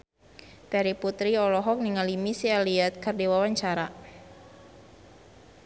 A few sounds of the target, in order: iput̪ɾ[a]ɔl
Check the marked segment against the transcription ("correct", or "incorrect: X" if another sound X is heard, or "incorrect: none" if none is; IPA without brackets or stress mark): incorrect: i